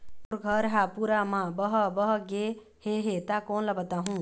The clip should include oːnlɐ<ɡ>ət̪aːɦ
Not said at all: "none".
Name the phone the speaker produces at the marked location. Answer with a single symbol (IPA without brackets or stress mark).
b